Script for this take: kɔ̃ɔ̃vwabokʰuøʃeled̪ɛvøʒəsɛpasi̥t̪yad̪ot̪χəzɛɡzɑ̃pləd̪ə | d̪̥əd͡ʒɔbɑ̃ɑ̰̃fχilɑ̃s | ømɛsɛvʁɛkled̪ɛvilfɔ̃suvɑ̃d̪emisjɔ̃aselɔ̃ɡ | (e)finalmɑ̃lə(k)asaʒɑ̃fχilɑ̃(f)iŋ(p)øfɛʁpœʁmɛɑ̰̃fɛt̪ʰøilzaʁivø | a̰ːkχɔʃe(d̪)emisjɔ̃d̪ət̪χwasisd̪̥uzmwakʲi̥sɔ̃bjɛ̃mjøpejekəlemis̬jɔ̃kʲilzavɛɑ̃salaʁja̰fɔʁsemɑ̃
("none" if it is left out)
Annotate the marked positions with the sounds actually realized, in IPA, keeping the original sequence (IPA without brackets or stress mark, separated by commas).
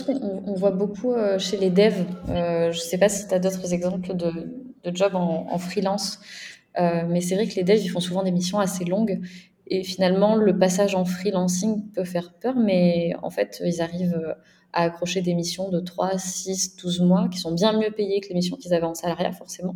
e, p, s, p, d̪